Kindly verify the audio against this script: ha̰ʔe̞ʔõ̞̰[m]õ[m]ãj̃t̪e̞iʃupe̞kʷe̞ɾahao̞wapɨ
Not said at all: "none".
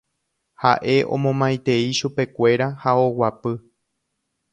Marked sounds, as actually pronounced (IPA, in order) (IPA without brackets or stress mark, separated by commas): m, m